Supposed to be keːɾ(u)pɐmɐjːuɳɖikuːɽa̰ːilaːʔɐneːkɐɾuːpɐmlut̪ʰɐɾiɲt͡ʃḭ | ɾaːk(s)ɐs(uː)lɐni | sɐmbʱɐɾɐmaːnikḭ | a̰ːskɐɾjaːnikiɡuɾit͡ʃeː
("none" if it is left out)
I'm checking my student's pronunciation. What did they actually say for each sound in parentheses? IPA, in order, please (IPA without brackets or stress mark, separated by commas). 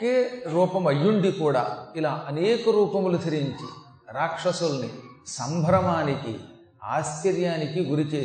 uː, ʂ, u